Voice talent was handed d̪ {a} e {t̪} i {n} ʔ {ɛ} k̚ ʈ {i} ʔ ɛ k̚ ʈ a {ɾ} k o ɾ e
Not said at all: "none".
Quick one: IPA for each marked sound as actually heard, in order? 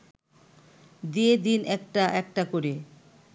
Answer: i, d̪, n, ɛ, a, none

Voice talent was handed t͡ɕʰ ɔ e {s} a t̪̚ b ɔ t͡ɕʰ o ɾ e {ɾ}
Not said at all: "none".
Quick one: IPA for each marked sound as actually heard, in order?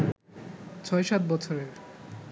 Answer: ʃ, ɾ

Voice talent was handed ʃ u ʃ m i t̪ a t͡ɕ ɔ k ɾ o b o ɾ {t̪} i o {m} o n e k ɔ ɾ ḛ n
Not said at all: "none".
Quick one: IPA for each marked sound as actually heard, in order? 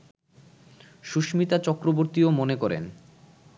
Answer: t̪, m

